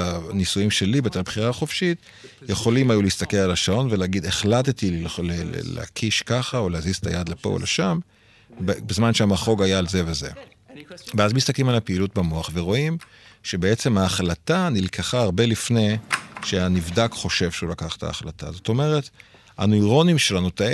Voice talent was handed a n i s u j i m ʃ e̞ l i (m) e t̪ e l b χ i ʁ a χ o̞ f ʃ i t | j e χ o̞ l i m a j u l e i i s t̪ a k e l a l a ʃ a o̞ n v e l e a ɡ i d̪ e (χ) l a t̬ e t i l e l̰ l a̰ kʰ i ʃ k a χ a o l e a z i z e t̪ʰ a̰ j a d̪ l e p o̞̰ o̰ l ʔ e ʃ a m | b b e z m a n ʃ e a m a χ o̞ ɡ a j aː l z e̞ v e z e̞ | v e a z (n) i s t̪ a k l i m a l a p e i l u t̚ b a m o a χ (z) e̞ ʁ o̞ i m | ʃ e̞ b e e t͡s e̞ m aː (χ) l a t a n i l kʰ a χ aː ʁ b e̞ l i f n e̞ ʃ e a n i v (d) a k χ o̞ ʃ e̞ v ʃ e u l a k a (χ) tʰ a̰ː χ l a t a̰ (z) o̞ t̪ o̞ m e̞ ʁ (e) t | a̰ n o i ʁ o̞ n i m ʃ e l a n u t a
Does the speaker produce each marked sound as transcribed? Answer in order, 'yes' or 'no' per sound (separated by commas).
no, yes, no, no, yes, yes, yes, yes, yes